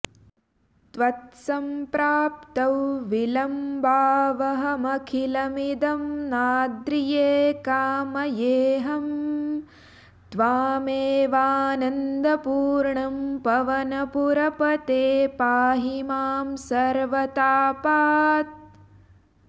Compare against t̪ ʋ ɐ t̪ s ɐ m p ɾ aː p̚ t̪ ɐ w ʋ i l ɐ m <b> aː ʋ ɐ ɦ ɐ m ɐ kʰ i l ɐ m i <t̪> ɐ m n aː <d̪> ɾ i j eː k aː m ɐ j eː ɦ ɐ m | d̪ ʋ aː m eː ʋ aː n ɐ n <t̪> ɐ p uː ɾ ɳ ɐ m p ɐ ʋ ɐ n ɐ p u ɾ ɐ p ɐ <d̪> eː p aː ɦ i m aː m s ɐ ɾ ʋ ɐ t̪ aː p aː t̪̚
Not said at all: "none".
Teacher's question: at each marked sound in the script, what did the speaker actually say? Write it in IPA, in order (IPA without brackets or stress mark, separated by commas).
b, d̪, d̪, d̪, t̪